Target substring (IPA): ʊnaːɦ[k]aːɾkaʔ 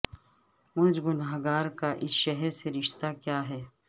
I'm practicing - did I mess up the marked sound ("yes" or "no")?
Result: yes